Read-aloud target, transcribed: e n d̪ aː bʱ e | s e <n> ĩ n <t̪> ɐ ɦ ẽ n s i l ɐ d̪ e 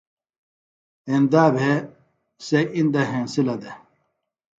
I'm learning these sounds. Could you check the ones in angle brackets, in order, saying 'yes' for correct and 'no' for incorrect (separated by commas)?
no, no